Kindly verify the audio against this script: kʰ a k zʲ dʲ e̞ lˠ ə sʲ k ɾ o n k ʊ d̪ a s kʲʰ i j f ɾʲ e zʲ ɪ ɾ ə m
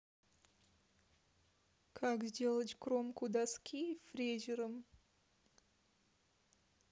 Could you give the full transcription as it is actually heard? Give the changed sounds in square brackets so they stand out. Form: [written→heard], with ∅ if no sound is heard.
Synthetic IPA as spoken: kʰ a k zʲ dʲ e̞ lˠ ə [sʲ→tʲ] k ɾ o [n→m] k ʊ d̪ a s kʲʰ i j f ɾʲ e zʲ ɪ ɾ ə m